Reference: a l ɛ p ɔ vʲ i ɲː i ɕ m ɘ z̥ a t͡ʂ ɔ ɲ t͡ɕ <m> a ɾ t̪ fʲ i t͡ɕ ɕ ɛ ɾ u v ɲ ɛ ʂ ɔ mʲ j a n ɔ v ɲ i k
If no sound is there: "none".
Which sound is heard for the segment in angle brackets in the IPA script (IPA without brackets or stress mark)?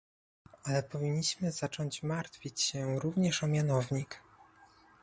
m